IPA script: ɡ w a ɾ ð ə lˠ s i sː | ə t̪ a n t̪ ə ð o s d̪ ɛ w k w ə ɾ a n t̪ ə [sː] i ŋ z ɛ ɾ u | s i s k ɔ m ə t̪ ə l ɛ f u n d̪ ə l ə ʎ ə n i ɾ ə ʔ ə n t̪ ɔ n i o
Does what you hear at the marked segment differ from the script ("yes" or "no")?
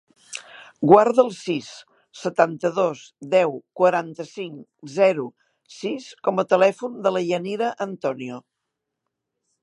yes